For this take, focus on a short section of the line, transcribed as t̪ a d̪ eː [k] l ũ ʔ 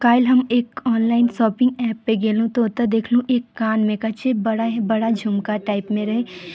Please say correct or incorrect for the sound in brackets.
incorrect